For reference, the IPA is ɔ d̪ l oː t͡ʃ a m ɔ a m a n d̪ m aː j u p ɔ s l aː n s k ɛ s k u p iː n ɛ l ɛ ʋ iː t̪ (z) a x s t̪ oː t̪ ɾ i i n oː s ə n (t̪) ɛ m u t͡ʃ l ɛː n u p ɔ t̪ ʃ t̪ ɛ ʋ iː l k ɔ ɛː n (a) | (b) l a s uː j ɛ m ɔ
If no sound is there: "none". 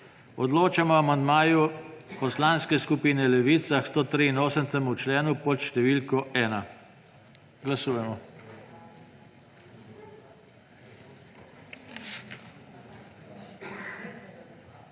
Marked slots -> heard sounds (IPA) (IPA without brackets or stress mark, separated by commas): s, t̪, a, ɡ